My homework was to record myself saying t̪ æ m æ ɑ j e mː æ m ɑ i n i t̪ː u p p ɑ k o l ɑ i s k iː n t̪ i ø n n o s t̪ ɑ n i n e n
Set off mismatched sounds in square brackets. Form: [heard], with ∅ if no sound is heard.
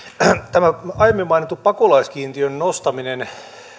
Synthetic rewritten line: t̪ æ m æ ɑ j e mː [i] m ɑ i n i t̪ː u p p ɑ k o l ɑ i s k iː n t̪ i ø n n o s t̪ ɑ [m] i n e n